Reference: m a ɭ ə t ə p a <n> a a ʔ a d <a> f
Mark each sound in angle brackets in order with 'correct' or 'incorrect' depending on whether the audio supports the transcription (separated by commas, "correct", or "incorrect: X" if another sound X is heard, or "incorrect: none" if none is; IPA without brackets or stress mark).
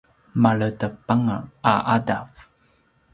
incorrect: ŋ, correct